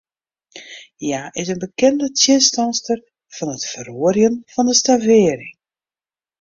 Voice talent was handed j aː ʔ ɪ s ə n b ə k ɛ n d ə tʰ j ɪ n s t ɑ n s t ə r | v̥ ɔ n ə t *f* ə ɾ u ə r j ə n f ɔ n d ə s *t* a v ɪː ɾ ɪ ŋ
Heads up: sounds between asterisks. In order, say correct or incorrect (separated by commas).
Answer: correct, correct